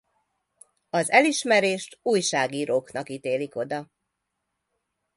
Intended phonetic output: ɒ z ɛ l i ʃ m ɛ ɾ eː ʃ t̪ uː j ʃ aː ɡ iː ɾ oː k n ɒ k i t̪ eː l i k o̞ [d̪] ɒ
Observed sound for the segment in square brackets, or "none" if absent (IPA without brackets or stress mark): d̪